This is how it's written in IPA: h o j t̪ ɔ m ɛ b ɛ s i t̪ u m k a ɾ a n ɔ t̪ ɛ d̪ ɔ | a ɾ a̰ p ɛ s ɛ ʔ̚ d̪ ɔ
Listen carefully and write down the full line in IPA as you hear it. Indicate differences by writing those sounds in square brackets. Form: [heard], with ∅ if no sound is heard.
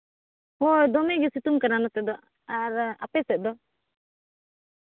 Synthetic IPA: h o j [d̪] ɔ m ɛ [ɡ] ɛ s i t̪ u m k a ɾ a n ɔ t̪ ɛ d̪ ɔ | a ɾ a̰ p ɛ s ɛ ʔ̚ d̪ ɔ